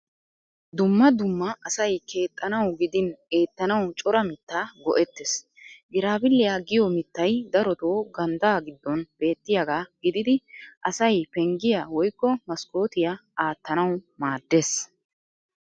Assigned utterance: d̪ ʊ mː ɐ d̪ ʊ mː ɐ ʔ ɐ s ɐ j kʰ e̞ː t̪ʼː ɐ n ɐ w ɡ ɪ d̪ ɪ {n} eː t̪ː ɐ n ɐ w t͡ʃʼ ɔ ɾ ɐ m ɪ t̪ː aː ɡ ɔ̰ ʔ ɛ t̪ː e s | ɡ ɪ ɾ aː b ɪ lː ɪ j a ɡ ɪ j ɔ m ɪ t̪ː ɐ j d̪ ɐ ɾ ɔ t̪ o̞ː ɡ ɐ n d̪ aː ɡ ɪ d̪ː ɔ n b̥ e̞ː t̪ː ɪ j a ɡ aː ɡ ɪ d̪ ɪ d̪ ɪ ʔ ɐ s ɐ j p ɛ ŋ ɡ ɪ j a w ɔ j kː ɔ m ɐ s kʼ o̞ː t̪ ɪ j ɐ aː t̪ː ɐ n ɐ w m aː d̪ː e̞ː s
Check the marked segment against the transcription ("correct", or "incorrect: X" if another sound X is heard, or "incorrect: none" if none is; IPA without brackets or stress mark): correct